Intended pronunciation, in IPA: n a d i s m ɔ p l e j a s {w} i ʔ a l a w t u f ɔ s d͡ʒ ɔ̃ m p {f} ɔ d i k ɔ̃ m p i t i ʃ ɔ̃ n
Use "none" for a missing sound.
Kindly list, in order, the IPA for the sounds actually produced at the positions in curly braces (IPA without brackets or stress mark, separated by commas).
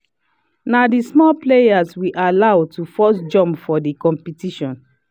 w, f